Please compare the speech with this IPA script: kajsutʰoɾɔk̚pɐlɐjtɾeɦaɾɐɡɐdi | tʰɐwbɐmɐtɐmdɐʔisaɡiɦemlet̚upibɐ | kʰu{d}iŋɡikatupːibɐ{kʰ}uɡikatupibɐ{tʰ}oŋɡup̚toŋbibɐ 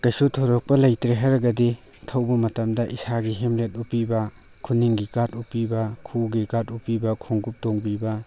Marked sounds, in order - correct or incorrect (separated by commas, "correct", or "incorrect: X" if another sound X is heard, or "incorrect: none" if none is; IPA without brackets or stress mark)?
incorrect: n, correct, incorrect: kʰ